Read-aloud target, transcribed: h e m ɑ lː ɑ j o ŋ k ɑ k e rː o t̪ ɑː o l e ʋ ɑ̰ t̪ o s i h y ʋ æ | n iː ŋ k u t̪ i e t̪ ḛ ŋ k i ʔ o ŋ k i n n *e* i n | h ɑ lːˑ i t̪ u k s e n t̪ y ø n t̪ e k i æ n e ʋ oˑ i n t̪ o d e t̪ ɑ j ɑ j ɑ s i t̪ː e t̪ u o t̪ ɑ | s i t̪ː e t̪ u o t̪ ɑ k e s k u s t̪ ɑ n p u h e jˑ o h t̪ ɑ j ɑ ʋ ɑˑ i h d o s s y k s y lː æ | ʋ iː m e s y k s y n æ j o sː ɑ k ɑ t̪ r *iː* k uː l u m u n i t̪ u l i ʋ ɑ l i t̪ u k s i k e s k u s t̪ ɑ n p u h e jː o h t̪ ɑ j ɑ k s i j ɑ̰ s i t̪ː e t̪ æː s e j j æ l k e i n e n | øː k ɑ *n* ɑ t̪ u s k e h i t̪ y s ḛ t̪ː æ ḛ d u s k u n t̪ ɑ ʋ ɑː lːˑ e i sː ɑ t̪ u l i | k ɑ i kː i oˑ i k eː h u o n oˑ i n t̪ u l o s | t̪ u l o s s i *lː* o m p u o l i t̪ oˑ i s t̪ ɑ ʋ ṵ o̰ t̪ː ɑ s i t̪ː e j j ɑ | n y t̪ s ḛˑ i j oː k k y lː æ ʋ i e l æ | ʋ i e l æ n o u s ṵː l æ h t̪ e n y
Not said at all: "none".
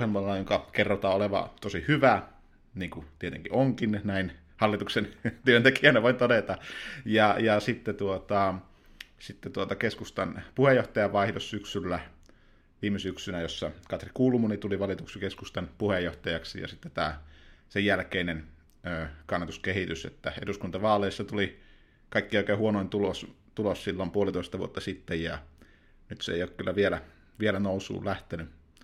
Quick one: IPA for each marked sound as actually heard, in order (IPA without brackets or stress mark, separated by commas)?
æ, i, nː, lː